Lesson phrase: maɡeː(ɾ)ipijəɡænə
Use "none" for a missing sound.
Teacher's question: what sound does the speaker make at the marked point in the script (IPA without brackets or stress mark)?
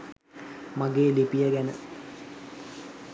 l